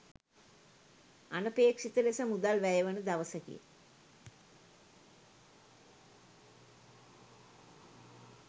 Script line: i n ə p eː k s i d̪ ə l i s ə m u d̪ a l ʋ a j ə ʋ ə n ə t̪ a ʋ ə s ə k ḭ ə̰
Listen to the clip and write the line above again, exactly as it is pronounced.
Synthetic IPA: a n ə p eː k ʂ i t̪ ə l e s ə m u d̪ a l ʋ æ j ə ʋ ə n ə d̪ a ʋ ə s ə k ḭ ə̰